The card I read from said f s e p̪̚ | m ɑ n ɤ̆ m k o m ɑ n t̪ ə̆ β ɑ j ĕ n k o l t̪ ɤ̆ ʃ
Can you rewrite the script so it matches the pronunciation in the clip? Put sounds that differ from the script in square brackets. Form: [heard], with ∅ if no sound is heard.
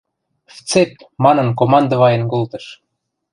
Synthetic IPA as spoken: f [t͡s] e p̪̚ | m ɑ n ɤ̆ [n] k o m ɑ n [d̪] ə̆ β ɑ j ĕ n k o l t̪ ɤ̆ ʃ